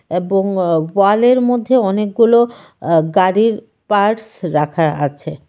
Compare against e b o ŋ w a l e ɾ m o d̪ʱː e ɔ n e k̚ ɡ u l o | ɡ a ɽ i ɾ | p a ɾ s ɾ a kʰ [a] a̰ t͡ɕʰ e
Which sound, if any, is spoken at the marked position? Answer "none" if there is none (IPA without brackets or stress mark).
a